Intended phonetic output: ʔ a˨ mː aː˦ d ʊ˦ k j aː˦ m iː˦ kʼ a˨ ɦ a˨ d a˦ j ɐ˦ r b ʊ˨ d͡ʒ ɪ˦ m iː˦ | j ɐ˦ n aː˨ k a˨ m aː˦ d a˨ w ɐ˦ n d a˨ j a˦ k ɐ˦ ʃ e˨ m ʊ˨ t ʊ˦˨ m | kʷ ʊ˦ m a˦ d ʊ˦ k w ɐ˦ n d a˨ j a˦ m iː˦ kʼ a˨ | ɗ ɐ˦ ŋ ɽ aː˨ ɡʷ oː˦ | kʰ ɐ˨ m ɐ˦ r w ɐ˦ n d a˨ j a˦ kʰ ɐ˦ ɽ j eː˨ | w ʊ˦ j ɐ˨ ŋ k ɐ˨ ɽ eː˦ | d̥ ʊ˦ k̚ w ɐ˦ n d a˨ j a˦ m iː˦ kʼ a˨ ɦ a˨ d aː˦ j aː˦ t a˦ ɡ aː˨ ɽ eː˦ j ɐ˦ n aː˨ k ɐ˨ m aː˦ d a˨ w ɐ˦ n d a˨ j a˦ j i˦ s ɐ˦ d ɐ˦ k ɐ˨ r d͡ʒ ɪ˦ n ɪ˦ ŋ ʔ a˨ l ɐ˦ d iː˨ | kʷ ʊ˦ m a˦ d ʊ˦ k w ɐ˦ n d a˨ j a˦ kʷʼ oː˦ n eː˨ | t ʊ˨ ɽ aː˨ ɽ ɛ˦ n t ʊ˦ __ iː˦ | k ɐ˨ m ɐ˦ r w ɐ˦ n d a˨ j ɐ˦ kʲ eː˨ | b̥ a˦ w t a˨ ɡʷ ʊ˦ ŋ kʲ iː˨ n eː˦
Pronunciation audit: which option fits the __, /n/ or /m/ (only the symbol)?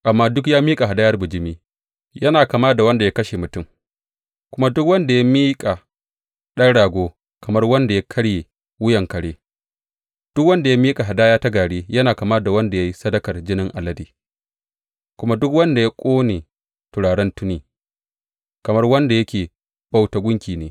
n